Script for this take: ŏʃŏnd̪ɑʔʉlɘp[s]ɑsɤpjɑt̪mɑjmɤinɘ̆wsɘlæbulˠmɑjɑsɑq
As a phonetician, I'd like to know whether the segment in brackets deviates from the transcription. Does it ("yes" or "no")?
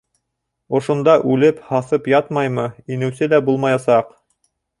yes